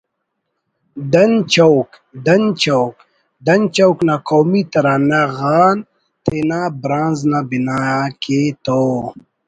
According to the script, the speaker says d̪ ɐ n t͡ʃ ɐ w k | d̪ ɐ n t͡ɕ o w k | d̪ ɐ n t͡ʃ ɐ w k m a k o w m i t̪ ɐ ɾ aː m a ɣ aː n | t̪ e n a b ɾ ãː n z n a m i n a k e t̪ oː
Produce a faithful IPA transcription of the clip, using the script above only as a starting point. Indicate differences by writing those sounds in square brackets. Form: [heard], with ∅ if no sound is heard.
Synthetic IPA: d̪ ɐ n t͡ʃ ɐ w k | d̪ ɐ n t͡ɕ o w k | d̪ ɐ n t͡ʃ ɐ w k [n] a k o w m i t̪ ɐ ɾ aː [n] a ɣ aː n | t̪ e n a b ɾ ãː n z n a [b] i n a k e t̪ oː